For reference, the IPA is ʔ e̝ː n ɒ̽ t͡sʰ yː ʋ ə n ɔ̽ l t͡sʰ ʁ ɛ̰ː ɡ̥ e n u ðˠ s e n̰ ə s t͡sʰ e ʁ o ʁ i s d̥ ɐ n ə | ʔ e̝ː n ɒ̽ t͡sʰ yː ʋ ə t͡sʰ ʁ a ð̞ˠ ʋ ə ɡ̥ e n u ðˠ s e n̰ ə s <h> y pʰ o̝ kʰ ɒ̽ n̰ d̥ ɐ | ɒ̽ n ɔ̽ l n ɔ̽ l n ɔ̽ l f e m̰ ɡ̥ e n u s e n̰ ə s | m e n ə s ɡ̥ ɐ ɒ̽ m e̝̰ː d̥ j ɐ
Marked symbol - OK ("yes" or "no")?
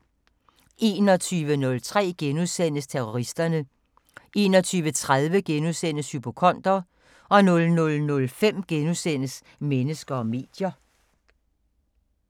yes